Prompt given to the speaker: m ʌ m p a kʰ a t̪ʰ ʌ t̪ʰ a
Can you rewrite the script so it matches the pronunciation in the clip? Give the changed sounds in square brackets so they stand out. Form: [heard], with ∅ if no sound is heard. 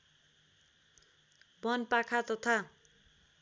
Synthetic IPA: [b] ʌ [n] p a kʰ a [t̪] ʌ t̪ʰ a